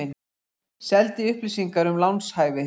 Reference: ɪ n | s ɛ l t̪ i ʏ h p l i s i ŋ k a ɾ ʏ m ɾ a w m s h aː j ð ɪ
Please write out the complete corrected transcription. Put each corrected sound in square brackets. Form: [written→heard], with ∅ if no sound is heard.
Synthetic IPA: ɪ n | s ɛ l t̪ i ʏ h p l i s i ŋ k a ɾ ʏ m [ɾ→l] a w [m→n] s h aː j [ð→v] ɪ